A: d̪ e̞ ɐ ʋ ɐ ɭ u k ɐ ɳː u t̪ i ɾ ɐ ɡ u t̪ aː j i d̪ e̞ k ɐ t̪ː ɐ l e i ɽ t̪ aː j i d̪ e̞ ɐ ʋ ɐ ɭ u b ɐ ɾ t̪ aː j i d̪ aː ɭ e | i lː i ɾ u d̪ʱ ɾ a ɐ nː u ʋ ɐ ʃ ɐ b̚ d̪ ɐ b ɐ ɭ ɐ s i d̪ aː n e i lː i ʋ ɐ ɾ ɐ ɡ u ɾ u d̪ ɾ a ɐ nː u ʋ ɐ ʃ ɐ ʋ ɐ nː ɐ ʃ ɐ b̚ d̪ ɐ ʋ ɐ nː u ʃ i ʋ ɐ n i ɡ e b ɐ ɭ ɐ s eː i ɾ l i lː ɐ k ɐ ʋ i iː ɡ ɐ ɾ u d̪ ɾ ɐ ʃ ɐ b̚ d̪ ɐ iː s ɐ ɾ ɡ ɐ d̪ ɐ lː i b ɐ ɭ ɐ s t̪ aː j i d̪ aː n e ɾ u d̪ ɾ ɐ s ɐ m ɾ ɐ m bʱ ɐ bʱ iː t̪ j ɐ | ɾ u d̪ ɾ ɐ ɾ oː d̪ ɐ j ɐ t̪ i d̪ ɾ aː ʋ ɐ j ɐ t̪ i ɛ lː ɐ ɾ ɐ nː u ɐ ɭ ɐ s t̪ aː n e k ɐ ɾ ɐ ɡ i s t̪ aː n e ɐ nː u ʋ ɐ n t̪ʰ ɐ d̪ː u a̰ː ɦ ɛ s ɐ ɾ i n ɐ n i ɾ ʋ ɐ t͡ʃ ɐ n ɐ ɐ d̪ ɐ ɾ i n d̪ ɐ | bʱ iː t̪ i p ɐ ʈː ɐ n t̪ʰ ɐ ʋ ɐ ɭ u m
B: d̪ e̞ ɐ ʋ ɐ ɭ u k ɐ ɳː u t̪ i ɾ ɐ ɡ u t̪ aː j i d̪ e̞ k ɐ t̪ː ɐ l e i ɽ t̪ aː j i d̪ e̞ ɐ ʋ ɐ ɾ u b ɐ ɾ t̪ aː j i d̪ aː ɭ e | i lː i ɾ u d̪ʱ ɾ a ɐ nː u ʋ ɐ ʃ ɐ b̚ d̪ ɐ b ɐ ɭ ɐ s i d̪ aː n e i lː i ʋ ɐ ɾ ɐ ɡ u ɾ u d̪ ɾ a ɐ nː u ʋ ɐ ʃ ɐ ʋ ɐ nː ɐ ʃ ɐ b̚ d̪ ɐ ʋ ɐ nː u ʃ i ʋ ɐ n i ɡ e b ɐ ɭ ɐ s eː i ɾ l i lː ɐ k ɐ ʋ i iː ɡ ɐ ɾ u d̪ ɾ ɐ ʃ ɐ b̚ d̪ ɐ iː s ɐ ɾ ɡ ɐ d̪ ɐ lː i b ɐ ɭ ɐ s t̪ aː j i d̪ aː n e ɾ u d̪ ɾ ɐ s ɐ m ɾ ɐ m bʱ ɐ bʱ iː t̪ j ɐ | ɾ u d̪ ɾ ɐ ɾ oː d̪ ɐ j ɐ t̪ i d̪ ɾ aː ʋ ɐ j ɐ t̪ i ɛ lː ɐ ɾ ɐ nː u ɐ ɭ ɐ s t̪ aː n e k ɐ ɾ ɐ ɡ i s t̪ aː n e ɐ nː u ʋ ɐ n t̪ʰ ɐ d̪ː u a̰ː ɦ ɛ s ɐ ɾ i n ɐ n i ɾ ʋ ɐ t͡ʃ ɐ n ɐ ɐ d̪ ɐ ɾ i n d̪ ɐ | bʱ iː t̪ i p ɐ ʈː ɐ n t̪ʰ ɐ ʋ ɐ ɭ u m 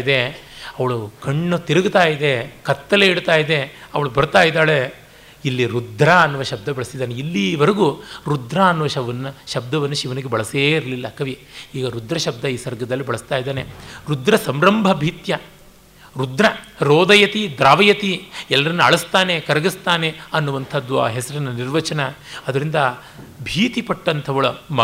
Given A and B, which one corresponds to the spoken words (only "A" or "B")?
A